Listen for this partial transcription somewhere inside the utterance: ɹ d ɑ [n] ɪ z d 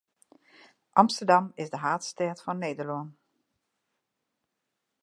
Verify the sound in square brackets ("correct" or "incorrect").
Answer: incorrect